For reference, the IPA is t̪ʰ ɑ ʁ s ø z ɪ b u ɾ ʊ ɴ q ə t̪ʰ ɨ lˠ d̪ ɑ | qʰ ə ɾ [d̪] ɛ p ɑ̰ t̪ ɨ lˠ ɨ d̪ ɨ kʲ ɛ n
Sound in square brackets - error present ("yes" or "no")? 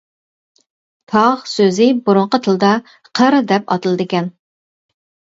no